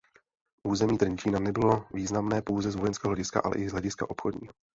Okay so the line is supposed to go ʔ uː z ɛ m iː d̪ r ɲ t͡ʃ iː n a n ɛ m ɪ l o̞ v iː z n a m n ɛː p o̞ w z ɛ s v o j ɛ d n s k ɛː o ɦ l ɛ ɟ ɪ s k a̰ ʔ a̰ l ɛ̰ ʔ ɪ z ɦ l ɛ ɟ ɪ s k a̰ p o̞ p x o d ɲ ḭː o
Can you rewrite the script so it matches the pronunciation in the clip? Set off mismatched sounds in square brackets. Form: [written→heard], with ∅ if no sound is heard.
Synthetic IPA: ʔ uː z ɛ m iː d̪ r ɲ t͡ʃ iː n a n ɛ [m→b] ɪ l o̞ v iː z n a m n ɛː p o̞ w z ɛ [s→z] v o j ɛ [d→∅] n s k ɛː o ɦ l ɛ ɟ ɪ s k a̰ ʔ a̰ l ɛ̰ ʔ ɪ z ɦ l ɛ ɟ ɪ s k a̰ [p→ʔ] o̞ p x o d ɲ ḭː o